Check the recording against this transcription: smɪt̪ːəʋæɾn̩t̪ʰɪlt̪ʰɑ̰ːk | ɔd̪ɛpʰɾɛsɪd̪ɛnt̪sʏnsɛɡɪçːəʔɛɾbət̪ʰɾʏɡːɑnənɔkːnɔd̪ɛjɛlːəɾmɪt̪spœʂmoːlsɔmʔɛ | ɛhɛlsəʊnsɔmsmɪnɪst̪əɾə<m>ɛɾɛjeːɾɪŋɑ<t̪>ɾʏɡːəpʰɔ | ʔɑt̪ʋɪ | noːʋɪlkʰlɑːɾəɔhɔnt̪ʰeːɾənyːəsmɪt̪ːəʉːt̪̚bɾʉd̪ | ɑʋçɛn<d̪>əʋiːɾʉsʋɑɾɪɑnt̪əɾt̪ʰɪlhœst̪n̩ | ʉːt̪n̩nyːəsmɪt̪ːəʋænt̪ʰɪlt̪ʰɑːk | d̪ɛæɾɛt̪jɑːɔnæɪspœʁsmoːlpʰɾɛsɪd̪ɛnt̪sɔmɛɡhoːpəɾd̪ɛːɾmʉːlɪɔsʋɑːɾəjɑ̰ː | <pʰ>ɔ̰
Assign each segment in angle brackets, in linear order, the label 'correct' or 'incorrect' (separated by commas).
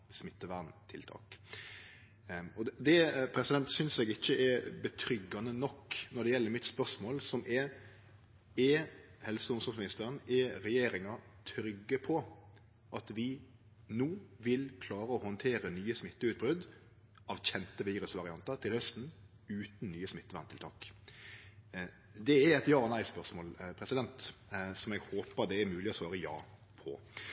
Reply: incorrect, incorrect, incorrect, correct